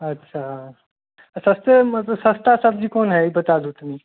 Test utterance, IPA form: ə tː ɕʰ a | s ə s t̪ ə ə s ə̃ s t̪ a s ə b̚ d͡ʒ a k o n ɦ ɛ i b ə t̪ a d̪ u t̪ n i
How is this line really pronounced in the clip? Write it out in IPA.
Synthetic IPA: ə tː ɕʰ a | s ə s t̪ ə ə s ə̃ s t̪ a s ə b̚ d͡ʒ i k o n ɦ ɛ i b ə t̪ a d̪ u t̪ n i